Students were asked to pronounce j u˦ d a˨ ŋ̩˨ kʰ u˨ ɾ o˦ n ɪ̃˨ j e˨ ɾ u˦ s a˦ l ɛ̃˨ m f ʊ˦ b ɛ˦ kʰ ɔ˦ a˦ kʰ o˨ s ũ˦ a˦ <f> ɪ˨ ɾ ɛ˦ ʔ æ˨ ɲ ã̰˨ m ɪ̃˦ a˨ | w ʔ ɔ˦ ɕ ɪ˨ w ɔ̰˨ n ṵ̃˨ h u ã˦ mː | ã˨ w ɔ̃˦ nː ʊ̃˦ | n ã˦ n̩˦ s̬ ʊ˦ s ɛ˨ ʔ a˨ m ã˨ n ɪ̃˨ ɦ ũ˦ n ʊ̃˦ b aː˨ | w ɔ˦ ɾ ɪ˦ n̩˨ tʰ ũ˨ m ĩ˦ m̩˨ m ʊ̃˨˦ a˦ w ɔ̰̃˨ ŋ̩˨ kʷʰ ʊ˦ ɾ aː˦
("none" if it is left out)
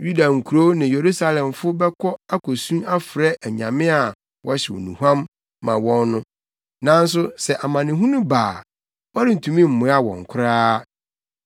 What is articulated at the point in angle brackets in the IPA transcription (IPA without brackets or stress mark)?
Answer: f